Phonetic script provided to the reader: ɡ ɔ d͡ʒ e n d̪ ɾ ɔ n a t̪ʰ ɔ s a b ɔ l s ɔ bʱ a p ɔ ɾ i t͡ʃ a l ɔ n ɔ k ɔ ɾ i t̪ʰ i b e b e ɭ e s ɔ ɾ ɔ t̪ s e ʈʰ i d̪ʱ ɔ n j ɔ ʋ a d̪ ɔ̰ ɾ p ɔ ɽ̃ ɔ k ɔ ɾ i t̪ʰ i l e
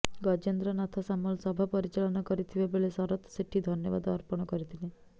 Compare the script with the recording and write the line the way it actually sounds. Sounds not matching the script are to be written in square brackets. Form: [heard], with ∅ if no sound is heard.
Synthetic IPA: ɡ ɔ d͡ʒ e n d̪ ɾ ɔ n a t̪ʰ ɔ s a [m] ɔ l s ɔ bʱ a p ɔ ɾ i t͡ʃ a l ɔ n ɔ k ɔ ɾ i t̪ʰ i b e b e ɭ e s ɔ ɾ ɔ t̪ s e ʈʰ i d̪ʱ ɔ n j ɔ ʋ a d̪ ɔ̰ ɾ p ɔ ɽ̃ ɔ k ɔ ɾ i t̪ʰ i l e